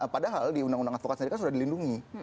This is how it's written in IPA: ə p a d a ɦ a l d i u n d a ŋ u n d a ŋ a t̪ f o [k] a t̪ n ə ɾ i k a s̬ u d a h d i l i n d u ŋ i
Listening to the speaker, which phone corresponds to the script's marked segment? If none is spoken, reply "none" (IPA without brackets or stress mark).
k